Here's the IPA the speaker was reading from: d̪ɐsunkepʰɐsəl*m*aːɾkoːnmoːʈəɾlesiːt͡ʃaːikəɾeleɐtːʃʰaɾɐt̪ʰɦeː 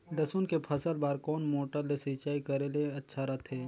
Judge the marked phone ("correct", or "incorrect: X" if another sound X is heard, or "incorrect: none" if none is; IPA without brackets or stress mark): incorrect: b